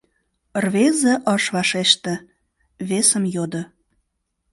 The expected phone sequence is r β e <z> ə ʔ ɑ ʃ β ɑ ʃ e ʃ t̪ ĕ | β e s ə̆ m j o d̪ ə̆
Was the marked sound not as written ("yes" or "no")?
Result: no